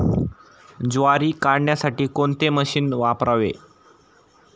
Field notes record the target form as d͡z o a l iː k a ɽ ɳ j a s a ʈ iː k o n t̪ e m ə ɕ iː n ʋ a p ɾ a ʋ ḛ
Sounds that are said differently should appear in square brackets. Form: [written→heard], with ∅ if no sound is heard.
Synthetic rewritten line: d͡z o a [l→ɾ] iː k a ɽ ɳ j a s a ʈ iː k o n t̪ e m ə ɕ iː n ʋ a p ɾ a ʋ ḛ